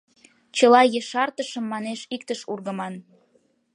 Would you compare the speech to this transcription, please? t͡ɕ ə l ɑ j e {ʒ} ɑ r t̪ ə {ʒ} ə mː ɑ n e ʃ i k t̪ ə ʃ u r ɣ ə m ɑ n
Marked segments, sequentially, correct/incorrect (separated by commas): incorrect, incorrect